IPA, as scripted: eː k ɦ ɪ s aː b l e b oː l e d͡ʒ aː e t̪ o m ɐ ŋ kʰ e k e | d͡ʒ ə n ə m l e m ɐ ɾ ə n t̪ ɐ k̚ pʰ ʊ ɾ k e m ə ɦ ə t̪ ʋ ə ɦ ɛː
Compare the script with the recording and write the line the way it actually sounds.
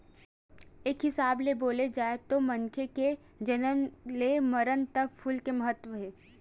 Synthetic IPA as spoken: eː k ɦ ɪ s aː b l e b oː l e d͡ʒ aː e t̪ o m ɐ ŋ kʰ e k e | d͡ʒ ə n ə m l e m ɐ ɾ ə n t̪ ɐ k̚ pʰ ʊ l k e m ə ɦ ə t̪ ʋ ə ɦ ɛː